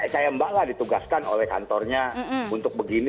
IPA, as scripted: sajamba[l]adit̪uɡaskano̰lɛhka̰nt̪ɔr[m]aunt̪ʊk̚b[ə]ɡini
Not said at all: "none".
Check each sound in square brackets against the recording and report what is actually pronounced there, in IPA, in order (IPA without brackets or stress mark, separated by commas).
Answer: l, ɲ, ə